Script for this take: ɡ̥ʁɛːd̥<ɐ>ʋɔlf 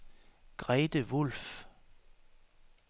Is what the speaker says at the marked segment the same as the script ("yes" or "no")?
no